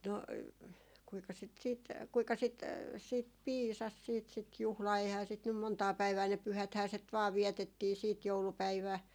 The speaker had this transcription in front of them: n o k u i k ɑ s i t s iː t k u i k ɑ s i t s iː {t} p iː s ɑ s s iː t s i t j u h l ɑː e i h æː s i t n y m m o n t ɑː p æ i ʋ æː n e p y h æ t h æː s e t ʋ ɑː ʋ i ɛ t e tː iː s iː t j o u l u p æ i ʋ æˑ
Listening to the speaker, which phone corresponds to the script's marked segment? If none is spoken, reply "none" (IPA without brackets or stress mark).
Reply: t